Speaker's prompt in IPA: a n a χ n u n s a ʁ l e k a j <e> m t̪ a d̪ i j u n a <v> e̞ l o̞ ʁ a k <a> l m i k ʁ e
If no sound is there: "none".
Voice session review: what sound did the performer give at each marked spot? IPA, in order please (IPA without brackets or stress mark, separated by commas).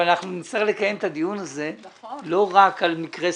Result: e, z, a